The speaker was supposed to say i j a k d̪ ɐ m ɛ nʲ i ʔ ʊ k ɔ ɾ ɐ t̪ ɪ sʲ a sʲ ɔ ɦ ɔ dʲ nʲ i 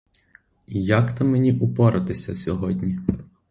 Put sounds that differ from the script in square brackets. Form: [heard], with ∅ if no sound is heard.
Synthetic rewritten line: i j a k [t̪] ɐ m [e] nʲ i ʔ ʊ [p] ɔ ɾ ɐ t̪ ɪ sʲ [ɐ] sʲ ɔ ɦ ɔ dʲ nʲ i